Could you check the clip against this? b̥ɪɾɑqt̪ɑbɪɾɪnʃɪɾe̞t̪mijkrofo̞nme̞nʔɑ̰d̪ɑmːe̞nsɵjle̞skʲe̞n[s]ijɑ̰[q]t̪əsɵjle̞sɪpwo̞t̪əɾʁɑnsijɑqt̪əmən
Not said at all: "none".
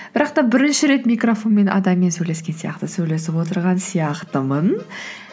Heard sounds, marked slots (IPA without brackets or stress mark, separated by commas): s, q